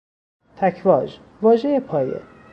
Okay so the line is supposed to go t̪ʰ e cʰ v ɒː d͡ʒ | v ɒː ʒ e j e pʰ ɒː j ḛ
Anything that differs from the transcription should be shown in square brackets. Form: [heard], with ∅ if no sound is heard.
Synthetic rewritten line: t̪ʰ [æ] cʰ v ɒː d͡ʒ | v ɒː ʒ e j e pʰ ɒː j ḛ